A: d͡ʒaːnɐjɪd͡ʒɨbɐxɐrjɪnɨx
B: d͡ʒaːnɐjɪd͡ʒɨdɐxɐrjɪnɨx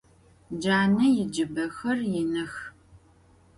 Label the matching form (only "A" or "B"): A